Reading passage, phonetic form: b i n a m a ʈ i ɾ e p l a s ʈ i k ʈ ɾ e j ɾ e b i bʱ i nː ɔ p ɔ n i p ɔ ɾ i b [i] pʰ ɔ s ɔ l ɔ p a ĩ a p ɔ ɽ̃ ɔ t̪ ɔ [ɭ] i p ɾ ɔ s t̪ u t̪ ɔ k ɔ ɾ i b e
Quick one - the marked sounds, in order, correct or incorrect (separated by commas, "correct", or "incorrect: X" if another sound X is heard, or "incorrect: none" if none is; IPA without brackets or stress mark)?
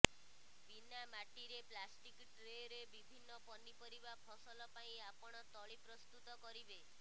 incorrect: a, correct